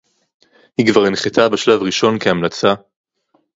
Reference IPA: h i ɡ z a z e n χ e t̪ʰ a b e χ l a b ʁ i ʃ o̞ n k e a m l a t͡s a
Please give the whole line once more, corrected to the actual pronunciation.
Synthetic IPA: h i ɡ v a ʁ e n χ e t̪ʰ a b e ʃ l a v ʁ i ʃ o̞ n k e a m l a t͡s a